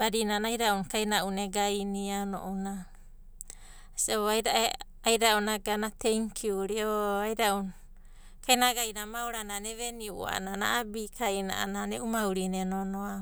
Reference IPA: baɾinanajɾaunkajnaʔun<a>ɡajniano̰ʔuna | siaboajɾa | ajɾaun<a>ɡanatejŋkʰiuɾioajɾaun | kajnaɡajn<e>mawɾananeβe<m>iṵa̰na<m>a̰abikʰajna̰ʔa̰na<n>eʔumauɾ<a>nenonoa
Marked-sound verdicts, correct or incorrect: incorrect, correct, incorrect, incorrect, incorrect, correct, incorrect

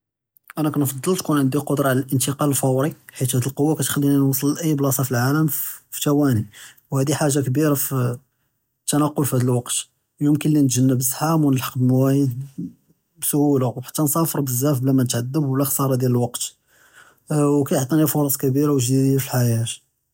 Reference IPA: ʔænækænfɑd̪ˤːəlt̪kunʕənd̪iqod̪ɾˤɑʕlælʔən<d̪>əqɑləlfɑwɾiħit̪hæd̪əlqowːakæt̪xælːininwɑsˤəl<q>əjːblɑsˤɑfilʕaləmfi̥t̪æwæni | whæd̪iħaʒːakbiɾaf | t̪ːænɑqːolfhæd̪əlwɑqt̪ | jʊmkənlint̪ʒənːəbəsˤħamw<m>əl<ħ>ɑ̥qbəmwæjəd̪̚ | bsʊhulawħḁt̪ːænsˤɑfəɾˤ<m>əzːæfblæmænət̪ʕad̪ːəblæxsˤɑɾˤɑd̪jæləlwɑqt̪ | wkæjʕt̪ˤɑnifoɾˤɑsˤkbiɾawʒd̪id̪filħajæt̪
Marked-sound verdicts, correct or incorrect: incorrect, incorrect, incorrect, correct, incorrect

